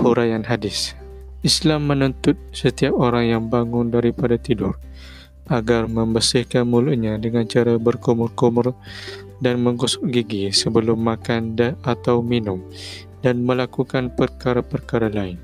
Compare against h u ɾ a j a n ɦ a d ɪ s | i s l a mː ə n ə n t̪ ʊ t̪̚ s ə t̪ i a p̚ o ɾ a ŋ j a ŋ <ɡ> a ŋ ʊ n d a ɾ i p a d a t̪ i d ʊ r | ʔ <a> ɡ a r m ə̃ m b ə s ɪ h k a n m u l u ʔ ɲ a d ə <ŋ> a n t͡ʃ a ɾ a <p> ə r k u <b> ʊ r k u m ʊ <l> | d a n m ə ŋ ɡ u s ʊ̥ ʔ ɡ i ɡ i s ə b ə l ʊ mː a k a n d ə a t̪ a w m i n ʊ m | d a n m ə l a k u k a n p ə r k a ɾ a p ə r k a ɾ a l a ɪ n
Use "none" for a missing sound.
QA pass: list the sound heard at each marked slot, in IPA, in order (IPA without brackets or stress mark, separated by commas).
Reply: b, a, ŋ, b, m, r